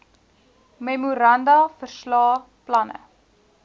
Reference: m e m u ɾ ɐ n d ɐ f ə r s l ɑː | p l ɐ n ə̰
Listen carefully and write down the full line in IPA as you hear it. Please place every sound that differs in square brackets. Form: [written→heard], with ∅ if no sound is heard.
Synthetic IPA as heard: m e m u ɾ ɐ n d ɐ f ə r s l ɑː | p l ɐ n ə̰